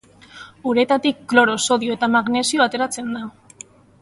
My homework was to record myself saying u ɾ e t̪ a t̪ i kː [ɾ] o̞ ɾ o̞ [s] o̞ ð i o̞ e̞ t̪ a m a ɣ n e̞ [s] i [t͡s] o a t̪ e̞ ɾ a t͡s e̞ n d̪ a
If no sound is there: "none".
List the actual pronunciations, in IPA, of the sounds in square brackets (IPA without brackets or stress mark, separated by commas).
l, s, s, none